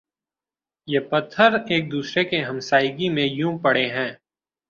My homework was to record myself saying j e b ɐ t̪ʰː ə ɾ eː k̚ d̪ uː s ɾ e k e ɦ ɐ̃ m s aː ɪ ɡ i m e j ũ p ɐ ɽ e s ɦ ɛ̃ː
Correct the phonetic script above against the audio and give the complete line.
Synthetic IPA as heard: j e p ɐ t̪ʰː ə ɾ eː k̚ d̪ uː s ɾ e k e ɦ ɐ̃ m s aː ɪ ɡ i m ẽ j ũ p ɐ ɽ e ɦ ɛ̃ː